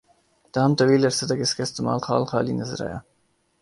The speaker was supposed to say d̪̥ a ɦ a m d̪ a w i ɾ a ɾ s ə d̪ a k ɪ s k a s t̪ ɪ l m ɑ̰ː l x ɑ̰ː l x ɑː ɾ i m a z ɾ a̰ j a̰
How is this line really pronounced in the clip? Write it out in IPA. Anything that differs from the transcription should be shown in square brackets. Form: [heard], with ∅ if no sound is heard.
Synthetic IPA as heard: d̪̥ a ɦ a m [t̪] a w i [l] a ɾ s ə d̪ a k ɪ s k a s t̪ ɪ [∅] m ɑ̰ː l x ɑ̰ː l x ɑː [l] i [n] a z ɾ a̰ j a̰